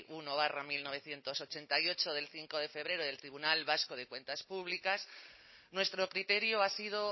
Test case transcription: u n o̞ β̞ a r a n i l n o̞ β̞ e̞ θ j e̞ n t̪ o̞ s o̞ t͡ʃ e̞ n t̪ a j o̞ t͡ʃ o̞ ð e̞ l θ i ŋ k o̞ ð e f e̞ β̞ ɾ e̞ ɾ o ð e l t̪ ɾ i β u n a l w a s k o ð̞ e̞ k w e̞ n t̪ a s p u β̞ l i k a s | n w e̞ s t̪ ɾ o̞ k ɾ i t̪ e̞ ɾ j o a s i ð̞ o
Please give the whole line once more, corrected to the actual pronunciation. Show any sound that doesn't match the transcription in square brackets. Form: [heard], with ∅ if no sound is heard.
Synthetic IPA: u n o̞ β̞ a r a [m] i l n o̞ β̞ e̞ θ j e̞ n t̪ o̞ s o̞ t͡ʃ e̞ n t̪ a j o̞ t͡ʃ o̞ ð e̞ l θ i ŋ k o̞ ð e f e̞ β̞ ɾ e̞ ɾ o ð e l t̪ ɾ i β u n a l [β] a s k o ð̞ e̞ k w e̞ n t̪ a s p u β̞ l i k a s | n w e̞ s t̪ ɾ o̞ k ɾ i t̪ e̞ ɾ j o a s i ð̞ o